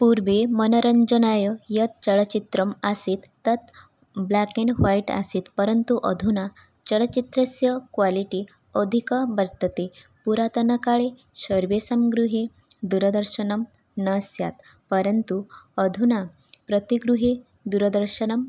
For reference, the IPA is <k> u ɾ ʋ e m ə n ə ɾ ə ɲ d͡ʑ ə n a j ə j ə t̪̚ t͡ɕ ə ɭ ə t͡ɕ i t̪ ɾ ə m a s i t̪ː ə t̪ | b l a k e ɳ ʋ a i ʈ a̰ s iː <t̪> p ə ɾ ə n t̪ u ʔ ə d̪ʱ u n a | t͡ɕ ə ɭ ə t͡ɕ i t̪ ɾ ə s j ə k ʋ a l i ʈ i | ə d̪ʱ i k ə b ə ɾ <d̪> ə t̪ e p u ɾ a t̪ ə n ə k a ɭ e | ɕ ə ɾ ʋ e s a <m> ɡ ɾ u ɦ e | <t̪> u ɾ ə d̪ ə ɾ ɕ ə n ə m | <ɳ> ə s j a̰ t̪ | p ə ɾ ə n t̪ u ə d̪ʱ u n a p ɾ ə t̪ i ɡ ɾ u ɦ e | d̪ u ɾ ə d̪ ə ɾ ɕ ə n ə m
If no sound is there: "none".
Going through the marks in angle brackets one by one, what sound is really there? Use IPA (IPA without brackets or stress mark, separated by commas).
p, t̪, t̪, m, d̪, n